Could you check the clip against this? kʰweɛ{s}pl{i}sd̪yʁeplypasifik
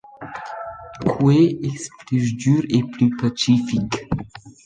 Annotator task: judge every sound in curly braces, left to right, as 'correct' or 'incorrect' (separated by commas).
correct, incorrect